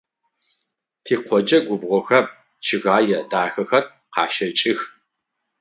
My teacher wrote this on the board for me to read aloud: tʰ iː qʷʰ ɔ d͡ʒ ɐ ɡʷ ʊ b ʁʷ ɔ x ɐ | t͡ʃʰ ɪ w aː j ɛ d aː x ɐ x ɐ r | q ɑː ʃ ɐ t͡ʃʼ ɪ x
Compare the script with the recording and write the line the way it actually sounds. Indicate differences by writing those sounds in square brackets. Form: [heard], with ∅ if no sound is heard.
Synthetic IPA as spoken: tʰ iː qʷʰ ɔ d͡ʒ ɐ ɡʷ ʊ b ʁʷ ɔ x ɐ | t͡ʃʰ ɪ [ɣ] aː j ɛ d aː x ɐ x ɐ r | q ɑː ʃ ɐ t͡ʃʼ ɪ x